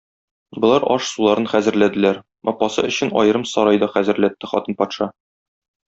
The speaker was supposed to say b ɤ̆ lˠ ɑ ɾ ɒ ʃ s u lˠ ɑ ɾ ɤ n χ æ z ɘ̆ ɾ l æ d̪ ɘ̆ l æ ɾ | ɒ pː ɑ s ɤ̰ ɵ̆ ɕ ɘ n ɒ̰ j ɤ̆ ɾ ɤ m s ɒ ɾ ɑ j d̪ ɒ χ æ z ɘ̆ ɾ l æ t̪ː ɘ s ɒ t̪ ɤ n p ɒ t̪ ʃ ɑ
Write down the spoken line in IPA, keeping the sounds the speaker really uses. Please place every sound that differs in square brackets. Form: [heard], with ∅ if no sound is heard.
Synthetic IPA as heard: b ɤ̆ lˠ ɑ ɾ ɒ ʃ s u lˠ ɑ ɾ ɤ n χ æ z ɘ̆ ɾ l æ d̪ ɘ̆ l æ ɾ | ɒ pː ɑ s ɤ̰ ɵ̆ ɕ ɘ n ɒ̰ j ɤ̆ ɾ ɤ m s ɒ ɾ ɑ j d̪ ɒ χ æ z ɘ̆ ɾ l æ t̪ː ɘ [χ] ɒ t̪ ɤ n p ɒ t̪ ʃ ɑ